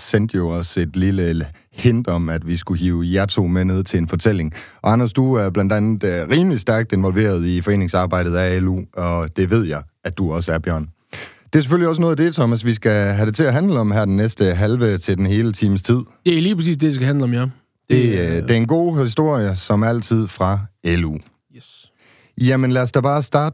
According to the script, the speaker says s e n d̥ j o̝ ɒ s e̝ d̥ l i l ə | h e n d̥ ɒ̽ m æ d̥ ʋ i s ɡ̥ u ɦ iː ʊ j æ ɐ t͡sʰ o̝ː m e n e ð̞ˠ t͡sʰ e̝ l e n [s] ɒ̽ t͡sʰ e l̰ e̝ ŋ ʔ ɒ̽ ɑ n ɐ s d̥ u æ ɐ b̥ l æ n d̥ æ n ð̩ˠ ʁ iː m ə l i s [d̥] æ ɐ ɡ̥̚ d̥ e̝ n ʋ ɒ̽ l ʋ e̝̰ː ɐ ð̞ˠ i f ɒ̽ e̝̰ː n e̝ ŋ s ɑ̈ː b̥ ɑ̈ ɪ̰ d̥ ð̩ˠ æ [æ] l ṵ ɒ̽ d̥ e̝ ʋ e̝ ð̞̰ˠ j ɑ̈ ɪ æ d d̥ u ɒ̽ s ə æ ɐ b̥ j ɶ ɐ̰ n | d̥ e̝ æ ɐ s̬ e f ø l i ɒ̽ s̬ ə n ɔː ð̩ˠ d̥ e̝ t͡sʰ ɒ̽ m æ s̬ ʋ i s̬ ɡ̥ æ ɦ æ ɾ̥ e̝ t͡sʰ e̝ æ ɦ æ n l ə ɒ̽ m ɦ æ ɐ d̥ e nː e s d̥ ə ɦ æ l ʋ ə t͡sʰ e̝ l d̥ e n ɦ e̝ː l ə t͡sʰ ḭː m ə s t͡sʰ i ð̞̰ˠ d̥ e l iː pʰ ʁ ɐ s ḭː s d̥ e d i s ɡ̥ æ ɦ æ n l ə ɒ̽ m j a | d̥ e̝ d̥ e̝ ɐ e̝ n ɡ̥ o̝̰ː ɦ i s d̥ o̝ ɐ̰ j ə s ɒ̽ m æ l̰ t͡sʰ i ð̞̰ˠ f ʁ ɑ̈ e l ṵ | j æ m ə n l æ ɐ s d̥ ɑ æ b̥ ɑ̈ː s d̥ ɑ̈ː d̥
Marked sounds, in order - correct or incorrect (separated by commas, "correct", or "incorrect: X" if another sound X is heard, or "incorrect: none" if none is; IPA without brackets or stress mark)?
incorrect: f, correct, incorrect: e